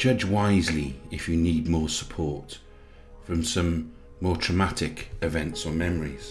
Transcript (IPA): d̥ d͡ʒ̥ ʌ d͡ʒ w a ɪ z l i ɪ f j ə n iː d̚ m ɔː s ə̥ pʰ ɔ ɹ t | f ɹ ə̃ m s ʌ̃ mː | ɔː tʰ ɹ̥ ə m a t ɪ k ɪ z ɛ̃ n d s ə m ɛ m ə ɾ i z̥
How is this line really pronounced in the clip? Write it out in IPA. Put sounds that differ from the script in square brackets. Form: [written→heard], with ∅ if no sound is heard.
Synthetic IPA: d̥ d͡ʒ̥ ʌ d͡ʒ w a ɪ z l i ɪ f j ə n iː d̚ m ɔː s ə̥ pʰ ɔ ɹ t | f ɹ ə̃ m s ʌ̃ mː | ɔː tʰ ɹ̥ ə m a t ɪ k ɪ [z→v] ɛ̃ n [d→t] s ə m ɛ m ə [ɾ→ɹ] i z̥